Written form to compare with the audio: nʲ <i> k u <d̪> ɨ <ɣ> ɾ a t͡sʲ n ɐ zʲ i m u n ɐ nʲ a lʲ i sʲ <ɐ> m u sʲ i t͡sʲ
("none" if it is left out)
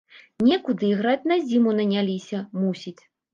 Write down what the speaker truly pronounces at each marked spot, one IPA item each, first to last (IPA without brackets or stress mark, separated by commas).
ɛ, d̪, ɣ, ɐ